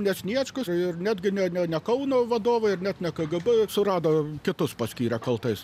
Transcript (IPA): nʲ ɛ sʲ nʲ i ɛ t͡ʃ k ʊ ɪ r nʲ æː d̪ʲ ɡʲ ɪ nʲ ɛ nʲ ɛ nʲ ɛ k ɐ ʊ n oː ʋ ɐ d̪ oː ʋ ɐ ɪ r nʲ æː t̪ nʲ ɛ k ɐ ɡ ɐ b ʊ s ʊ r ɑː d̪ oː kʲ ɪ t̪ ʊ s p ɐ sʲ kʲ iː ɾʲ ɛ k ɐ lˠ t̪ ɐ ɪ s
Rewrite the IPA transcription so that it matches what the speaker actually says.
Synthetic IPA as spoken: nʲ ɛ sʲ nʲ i ɛ t͡ʃ k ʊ ɪ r nʲ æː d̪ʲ ɡʲ ɪ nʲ ɛ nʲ ɛ nʲ ɛ k ɐ ʊ n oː ʋ ɐ d̪ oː ʋ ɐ ɪ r nʲ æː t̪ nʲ ɛ k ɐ ɡ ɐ b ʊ s ʊ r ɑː d̪ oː kʲ ɪ t̪ ʊ s p ɐ sʲ kʲ iː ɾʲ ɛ k ɐ lˠ t̪ ɐ ɪ s